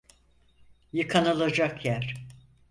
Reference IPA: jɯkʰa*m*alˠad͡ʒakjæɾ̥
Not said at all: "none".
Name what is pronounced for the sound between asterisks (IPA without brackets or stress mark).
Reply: n